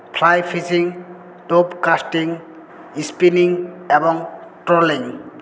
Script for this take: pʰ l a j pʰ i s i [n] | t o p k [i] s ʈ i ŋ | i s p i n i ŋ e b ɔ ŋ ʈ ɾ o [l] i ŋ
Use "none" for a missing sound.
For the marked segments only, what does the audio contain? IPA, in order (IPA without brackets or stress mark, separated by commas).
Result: ŋ, a, l